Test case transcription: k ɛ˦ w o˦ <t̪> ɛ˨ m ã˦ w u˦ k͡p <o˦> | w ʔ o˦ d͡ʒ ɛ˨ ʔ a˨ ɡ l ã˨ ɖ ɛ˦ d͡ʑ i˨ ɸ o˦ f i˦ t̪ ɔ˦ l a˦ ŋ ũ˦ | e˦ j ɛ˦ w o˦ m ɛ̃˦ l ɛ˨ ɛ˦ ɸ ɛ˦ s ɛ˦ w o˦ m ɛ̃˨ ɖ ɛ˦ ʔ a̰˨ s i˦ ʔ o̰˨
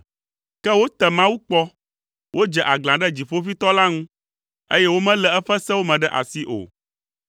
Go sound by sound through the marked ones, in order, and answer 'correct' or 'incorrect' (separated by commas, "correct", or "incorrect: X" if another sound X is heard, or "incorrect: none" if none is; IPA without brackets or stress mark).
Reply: correct, incorrect: ɔ˦